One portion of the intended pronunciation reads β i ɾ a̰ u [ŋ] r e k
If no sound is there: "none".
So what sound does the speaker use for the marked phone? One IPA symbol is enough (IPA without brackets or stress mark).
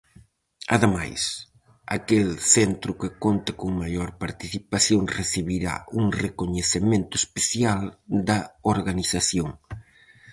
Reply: ŋ